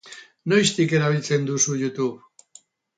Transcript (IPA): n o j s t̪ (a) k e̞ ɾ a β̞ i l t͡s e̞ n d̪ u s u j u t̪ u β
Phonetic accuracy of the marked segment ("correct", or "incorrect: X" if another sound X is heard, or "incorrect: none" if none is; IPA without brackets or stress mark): incorrect: i